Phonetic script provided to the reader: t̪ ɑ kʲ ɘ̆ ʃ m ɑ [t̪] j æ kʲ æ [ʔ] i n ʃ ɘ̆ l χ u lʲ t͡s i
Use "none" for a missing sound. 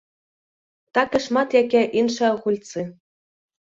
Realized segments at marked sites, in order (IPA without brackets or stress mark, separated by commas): t̪, ʔ